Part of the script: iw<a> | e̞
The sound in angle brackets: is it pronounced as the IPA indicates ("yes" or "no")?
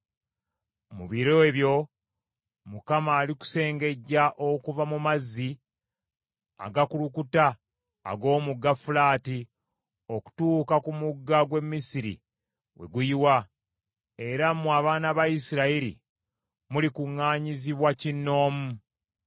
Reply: yes